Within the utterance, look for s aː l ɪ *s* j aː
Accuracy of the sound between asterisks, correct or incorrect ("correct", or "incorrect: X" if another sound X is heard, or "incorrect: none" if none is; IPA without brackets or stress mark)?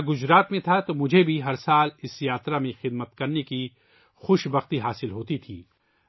correct